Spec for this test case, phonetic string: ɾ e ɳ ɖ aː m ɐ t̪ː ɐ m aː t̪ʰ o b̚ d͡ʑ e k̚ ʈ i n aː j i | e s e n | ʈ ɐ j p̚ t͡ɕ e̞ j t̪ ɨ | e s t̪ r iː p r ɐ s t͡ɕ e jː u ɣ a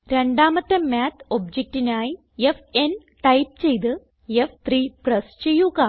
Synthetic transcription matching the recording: ɾ e ɳ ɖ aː m ɐ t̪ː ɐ m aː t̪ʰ o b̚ d͡ʑ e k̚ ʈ i n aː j i | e f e n | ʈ ɐ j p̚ t͡ɕ e̞ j t̪ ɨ | e f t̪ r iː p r ɐ s t͡ɕ e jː u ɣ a